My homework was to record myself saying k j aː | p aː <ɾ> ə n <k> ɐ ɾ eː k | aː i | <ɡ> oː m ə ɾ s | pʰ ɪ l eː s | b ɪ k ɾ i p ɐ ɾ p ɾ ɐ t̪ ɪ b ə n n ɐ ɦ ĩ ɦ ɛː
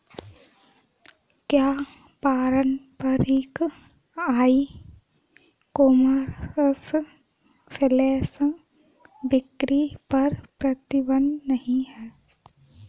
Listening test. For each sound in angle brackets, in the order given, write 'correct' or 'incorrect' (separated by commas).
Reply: correct, incorrect, incorrect